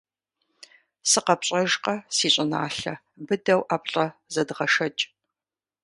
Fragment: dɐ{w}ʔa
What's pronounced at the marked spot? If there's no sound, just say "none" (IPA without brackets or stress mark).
w